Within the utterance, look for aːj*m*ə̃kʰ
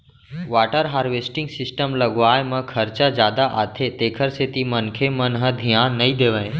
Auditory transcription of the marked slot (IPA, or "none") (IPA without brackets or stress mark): m